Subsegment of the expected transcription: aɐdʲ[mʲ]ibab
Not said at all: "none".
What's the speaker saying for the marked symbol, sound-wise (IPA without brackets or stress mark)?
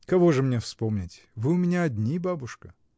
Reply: nʲ